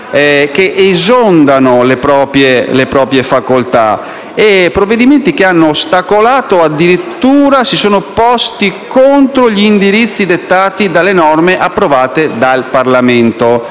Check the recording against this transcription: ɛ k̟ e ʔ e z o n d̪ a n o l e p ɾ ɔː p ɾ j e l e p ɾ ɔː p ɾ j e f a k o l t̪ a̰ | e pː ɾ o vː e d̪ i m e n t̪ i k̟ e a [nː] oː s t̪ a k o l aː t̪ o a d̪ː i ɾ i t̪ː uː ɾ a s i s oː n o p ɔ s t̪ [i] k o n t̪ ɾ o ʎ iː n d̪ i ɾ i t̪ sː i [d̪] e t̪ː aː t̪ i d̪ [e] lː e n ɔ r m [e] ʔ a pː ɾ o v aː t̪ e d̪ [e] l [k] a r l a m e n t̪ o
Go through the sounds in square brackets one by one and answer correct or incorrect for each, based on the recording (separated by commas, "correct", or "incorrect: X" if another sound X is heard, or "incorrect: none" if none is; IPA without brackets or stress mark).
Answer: correct, correct, correct, incorrect: a, correct, incorrect: a, incorrect: p